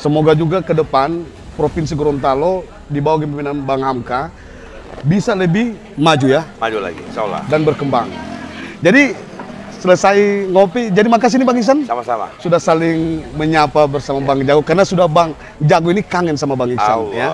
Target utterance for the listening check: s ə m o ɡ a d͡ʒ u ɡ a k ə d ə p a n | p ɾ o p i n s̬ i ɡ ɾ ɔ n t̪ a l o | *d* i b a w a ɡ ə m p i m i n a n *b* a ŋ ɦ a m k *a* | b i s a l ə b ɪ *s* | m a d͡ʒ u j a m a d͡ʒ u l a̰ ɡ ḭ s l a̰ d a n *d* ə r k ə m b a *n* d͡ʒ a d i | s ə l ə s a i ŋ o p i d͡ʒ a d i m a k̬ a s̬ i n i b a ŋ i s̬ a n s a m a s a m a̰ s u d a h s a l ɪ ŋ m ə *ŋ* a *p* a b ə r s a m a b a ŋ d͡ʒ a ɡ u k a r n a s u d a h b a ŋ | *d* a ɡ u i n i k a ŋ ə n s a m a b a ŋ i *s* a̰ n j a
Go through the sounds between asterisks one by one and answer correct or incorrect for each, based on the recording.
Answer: correct, correct, correct, incorrect: h, incorrect: b, incorrect: ŋ, incorrect: ɲ, correct, incorrect: d͡ʒ, correct

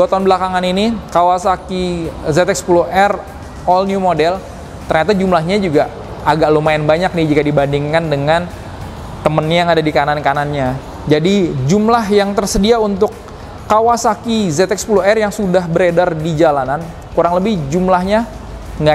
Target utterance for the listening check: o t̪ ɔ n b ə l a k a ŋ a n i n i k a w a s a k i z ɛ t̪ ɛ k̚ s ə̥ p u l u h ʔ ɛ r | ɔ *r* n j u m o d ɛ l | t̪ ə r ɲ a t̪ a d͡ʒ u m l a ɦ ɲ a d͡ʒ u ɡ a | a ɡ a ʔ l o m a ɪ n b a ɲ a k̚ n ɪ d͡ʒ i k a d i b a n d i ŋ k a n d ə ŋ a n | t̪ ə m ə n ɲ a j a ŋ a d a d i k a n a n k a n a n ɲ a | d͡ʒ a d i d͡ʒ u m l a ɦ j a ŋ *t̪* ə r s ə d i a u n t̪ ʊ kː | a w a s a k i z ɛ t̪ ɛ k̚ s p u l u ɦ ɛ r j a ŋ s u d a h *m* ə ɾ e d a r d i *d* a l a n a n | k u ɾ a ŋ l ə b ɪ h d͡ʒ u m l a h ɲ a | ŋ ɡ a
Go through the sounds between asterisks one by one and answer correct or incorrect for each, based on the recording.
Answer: incorrect: l, correct, incorrect: b, incorrect: d͡ʒ

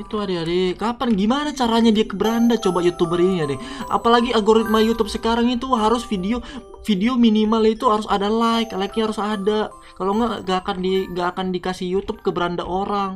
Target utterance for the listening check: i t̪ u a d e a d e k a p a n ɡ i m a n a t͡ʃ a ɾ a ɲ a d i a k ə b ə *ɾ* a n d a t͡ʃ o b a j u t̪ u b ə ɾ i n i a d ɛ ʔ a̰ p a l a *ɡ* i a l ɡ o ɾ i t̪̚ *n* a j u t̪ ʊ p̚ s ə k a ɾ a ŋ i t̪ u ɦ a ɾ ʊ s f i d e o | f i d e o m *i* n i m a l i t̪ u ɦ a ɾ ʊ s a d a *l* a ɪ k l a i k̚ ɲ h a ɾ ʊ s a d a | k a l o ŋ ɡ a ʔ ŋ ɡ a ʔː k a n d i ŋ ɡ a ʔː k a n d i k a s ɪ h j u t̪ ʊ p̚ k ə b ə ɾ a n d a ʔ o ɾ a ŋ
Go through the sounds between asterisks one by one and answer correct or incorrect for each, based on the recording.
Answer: correct, correct, incorrect: m, correct, correct

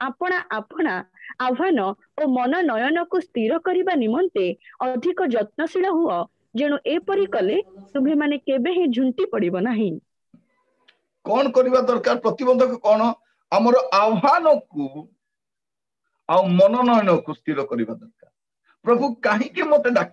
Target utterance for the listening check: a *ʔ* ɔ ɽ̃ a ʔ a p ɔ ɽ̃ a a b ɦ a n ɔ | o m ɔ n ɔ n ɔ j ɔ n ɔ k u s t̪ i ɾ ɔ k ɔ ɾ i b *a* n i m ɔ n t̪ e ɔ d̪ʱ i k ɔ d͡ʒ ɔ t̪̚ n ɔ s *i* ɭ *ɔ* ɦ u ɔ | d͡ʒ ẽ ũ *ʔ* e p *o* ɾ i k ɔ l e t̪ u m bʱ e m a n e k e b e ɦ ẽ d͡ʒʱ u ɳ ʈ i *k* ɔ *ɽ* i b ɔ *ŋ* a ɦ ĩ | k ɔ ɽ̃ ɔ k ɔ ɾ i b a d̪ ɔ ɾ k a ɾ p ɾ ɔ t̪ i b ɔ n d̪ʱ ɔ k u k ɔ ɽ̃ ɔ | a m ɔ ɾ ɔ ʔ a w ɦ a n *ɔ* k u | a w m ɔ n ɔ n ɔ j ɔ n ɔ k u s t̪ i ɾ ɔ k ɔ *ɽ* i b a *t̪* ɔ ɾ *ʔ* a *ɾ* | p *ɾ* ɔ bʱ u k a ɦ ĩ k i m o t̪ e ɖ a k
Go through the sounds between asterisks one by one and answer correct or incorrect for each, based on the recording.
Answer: incorrect: p, correct, correct, correct, correct, incorrect: ɔ, incorrect: p, correct, incorrect: n, correct, incorrect: ɾ, incorrect: d̪, incorrect: k, correct, correct

